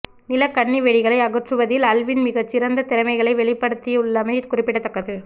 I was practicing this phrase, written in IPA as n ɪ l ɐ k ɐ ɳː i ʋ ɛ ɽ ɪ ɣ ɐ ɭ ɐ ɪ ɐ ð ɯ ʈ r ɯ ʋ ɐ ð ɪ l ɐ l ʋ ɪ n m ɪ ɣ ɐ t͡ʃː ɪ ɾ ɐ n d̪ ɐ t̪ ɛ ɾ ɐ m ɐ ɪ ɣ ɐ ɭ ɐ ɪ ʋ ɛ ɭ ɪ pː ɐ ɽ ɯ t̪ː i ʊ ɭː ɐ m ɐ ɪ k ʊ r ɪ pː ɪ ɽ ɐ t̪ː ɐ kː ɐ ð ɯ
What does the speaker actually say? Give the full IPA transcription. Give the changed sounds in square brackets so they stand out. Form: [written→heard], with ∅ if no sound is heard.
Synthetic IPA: n ɪ l ɐ k ɐ ɳː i ʋ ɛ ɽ ɪ ɣ ɐ ɭ ɐ ɪ ɐ [ð→ɣ] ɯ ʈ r ɯ ʋ ɐ ð ɪ l ɐ l ʋ ɪ n m ɪ ɣ ɐ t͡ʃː ɪ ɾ ɐ n d̪ ɐ t̪ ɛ ɾ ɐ m ɐ ɪ ɣ ɐ ɭ ɐ ɪ ʋ ɛ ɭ ɪ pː ɐ ɽ ɯ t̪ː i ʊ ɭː ɐ m ɐ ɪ k ʊ r ɪ pː ɪ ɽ ɐ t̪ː ɐ kː ɐ ð ɯ